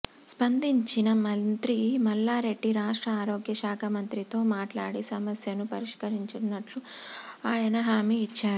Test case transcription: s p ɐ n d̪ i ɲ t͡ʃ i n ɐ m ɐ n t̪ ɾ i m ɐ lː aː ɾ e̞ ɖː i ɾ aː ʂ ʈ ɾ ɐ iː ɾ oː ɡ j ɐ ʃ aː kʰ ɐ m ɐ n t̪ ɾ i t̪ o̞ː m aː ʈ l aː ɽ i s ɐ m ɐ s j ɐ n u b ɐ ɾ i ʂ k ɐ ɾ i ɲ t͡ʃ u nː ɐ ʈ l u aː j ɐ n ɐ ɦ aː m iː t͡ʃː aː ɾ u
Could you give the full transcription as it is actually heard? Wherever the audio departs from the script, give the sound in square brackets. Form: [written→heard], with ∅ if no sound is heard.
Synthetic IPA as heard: s p ɐ n d̪ i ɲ t͡ʃ i n ɐ m ɐ n t̪ ɾ i m ɐ lː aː ɾ e̞ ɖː i ɾ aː ʂ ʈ ɾ ɐ [iː→aː] ɾ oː ɡ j ɐ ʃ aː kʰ ɐ m ɐ n t̪ ɾ i t̪ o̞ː m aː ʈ l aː ɽ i s ɐ m ɐ s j ɐ n u [b→p] ɐ ɾ i ʂ k ɐ ɾ i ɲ t͡ʃ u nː ɐ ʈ l u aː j ɐ n ɐ ɦ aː m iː t͡ʃː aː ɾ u